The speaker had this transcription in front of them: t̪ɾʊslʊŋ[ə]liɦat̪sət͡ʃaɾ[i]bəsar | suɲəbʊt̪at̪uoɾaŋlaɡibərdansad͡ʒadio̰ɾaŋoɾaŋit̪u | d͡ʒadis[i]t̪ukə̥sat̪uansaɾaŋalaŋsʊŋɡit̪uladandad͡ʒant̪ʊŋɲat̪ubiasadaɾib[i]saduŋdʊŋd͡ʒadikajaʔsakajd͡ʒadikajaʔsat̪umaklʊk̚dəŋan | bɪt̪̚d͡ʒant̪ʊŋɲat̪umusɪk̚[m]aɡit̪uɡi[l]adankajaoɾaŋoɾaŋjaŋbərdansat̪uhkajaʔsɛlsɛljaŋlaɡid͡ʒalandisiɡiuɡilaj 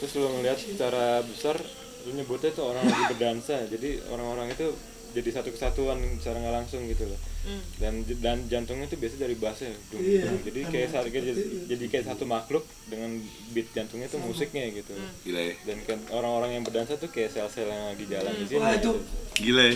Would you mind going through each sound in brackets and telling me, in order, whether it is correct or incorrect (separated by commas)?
correct, incorrect, incorrect, incorrect, incorrect, correct